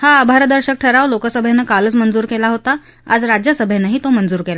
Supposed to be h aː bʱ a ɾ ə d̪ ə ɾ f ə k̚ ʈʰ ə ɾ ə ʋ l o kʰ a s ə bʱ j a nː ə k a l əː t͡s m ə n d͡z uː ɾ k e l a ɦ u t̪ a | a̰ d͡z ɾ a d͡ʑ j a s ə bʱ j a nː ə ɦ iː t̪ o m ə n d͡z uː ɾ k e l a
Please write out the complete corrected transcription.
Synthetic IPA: h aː bʱ a ɾ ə d̪ ə ɾ ɕ ə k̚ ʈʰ ə ɾ a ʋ l o k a s ə bʱ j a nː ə k a l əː t͡s m ə n d͡z uː ɾ k e l a ɦ o t̪ a | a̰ d͡z ɾ a d͡ʑ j a s ə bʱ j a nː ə ɦ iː t̪ o m ə n d͡z uː ɾ k e l a

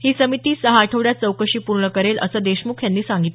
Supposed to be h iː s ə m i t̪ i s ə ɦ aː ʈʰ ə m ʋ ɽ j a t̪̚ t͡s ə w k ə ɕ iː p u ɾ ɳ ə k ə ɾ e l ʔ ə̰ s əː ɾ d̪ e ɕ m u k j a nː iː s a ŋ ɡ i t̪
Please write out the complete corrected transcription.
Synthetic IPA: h iː s ə m i t̪ iː s ə ɦ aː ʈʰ ə ʋ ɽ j a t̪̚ t͡s ə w k ə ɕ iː p u ɾ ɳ ə k ə ɾ e l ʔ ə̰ s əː d̪ e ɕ m u kʰ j a nː iː s a ŋ ɡ i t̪

